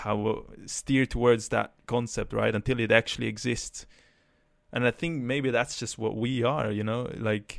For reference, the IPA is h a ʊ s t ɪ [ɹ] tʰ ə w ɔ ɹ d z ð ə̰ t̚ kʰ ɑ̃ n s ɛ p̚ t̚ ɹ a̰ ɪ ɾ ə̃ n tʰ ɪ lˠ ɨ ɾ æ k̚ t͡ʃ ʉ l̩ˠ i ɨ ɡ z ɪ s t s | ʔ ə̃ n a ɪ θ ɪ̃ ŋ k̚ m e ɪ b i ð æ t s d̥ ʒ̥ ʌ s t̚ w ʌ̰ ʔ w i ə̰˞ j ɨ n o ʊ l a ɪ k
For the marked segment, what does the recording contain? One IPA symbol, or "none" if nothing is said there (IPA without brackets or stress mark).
ɹ